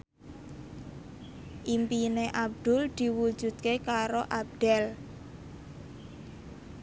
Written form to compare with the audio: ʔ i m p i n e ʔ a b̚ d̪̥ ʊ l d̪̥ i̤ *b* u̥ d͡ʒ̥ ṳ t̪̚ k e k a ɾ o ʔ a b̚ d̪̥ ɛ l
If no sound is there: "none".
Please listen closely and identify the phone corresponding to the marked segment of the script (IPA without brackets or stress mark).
w